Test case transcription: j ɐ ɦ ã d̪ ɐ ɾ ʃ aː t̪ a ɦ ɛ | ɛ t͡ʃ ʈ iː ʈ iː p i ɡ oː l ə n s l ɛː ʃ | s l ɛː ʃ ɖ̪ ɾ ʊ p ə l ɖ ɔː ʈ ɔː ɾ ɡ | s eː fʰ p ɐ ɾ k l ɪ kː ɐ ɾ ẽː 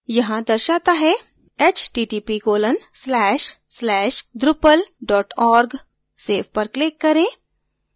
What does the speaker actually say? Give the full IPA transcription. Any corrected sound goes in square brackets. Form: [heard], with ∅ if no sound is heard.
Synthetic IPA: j ɐ ɦ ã d̪ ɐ ɾ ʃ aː t̪ a ɦ ɛ | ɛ t͡ʃ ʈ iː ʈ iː p i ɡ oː l ə n s l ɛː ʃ | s l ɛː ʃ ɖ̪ ɾ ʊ p ə l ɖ ɔː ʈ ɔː ɾ ɡ | s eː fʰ p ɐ ɾ k l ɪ kː ɐ ɾ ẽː